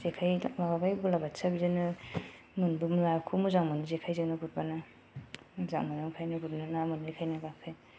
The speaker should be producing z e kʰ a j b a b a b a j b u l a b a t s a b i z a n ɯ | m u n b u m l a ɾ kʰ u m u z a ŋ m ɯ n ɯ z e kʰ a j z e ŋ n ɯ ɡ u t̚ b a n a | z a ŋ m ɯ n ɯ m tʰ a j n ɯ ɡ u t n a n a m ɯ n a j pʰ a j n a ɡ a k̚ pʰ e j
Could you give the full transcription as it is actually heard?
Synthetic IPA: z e kʰ a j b a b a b a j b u l a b a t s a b i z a n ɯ | m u n b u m l a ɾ kʰ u m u z a ŋ m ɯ n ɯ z e kʰ a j z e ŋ n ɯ ɡ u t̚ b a n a | z a ŋ m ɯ n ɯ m kʰ a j n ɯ ɡ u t n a n a m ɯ n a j kʰ a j n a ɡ a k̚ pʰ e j